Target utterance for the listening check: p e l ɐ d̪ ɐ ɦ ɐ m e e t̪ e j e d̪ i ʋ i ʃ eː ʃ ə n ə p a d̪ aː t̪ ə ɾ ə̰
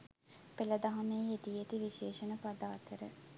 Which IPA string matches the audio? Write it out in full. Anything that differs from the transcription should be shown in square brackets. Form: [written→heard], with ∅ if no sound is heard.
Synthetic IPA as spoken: p e l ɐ d̪ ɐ ɦ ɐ m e e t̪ [e→i] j e [d̪→t̪] i ʋ i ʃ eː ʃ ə n ə p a d̪ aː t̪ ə ɾ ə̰

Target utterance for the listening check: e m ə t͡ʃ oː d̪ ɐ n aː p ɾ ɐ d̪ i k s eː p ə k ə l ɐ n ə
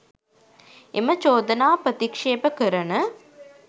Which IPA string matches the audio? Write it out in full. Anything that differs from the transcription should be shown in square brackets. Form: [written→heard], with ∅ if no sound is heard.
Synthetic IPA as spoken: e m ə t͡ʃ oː d̪ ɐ n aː p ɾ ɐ [d̪→t̪] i k [s→ʂ] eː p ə k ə [l→ɾ] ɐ n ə

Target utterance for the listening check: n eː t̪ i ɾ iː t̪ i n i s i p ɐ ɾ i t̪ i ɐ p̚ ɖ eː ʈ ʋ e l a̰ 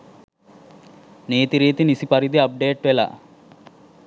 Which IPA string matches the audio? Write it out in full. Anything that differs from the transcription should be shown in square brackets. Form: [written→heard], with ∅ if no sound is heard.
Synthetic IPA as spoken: n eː t̪ i ɾ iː t̪ i n i s i p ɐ ɾ i [t̪→d̪] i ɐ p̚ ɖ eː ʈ ʋ e l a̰

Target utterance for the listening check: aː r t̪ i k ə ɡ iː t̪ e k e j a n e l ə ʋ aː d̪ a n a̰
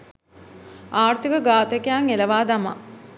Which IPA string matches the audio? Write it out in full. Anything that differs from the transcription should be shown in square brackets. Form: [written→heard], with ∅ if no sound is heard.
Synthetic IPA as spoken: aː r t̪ i k ə ɡ [iː→aː] t̪ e k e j a [n→ŋ] e l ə ʋ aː d̪ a [n→m] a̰

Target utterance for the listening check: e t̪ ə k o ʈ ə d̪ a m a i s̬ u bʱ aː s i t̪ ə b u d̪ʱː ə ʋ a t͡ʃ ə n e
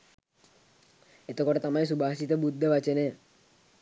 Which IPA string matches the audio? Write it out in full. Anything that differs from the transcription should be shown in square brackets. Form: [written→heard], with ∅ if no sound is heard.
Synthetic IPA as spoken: e t̪ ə k o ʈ ə [d̪→t̪] a m a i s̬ u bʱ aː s i t̪ ə b u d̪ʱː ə ʋ a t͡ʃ ə n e

